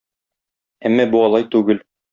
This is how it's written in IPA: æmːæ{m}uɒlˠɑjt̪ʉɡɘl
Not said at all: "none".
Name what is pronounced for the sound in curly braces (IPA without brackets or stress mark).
b